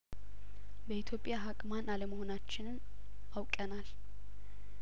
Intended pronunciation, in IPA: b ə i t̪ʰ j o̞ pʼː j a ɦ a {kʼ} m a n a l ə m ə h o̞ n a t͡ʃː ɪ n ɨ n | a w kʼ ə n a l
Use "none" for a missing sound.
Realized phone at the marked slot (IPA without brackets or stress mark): kʼ